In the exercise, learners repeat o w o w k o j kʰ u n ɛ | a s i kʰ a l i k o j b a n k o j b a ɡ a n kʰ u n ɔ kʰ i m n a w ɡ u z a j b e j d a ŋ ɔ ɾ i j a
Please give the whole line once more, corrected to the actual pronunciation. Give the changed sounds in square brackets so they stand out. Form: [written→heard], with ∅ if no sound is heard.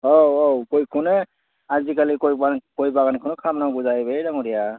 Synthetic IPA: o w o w k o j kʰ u n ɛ | a [s→z] i [kʰ→k] a l i k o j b a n k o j b a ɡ a n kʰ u n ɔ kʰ [i→a] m n a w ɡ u z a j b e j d a ŋ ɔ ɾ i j a

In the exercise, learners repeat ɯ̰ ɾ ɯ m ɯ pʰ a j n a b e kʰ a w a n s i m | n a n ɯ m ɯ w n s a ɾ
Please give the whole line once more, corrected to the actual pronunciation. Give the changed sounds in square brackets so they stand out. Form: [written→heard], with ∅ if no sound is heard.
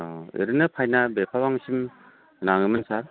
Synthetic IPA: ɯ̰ ɾ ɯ [m→n] ɯ pʰ a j n a b e [kʰ→pʰ] a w a [n→ŋ] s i m | n a [n→ŋ] ɯ m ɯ [w→∅] n s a ɾ

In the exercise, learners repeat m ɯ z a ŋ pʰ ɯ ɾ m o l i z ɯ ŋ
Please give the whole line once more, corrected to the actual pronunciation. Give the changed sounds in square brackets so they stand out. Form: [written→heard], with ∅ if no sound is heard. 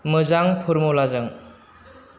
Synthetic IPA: m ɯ z a ŋ pʰ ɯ ɾ m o l [i→a] z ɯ ŋ

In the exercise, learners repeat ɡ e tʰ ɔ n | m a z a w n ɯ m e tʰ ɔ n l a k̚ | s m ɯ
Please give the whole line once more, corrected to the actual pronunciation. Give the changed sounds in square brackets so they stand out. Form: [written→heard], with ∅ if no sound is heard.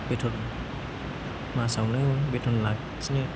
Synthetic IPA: [ɡ→b] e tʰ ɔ n | m a [z→s] a w n ɯ [m→b] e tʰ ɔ n l a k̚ | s [m→n] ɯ

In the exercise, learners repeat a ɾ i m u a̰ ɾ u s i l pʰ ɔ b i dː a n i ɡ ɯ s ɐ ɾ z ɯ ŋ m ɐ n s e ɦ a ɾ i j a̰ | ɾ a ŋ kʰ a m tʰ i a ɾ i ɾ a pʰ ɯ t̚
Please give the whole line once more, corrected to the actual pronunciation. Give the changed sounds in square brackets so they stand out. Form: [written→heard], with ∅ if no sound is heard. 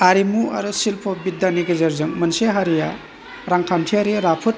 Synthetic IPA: a ɾ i m u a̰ ɾ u s i l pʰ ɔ b i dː a n i ɡ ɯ [s→z] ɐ ɾ z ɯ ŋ m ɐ n s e ɦ a ɾ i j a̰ | ɾ a ŋ kʰ a m tʰ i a ɾ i ɾ a pʰ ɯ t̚

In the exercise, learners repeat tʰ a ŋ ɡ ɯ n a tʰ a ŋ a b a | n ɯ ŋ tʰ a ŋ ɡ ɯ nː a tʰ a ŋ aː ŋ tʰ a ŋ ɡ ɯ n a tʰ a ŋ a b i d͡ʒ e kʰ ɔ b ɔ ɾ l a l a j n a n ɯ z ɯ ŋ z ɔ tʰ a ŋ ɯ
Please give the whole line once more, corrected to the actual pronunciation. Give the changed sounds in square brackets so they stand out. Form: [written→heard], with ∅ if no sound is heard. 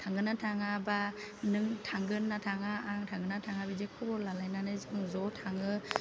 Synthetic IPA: tʰ a ŋ ɡ ɯ n a tʰ a ŋ a b a | n ɯ ŋ tʰ a ŋ ɡ ɯ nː a tʰ a ŋ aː ŋ tʰ a ŋ ɡ ɯ n a tʰ a ŋ a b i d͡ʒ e kʰ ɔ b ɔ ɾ l a l a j n a n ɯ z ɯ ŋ z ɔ tʰ a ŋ ɯ

